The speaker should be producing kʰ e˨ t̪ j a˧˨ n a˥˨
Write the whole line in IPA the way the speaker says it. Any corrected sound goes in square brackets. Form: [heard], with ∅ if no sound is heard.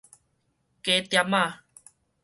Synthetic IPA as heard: [k] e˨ t̪ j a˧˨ [m] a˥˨

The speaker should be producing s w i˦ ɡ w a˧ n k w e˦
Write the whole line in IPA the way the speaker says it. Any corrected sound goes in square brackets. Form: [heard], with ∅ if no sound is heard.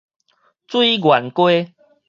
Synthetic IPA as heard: [t͡s] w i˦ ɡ w [a˨˩] n k w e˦

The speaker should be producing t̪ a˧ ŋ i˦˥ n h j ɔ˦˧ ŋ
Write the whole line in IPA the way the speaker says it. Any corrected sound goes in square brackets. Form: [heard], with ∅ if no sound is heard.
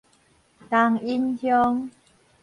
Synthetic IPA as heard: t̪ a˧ ŋ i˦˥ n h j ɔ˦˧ ŋ

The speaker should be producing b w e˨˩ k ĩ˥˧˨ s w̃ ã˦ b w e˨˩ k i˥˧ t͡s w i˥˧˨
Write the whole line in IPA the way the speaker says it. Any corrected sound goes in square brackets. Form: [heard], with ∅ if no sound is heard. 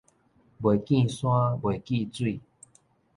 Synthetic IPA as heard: b w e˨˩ k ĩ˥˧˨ s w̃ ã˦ b w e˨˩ k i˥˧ t͡s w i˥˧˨

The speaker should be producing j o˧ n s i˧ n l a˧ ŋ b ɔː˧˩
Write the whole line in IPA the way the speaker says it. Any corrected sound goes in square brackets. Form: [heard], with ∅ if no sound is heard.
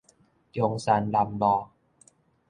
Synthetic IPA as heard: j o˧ [ŋ] s [a˧] n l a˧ [m] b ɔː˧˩

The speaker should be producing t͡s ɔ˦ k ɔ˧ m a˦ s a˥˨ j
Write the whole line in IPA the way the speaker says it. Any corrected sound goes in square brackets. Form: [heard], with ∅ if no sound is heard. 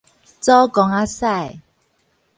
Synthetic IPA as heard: t͡s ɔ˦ k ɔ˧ [ŋ] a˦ s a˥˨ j

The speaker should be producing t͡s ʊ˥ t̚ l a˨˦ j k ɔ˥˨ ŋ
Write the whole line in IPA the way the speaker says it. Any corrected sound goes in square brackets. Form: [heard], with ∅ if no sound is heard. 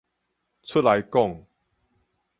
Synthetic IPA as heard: [t͡sʰ] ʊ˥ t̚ l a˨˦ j k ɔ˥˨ ŋ

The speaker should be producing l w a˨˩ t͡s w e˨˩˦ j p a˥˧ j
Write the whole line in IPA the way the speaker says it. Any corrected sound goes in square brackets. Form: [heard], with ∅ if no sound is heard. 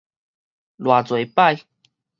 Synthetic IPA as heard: l w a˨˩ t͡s w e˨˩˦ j p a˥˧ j

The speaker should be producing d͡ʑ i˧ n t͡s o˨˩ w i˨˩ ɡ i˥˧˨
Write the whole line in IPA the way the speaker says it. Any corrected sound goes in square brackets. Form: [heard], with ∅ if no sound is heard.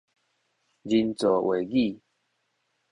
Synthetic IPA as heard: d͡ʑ i˧ n t͡s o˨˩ w [e˨˩] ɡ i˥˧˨

